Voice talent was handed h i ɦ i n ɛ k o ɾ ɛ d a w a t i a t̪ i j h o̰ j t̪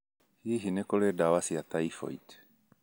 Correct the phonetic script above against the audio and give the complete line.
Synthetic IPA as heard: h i ɦ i n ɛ k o l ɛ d a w a s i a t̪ a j f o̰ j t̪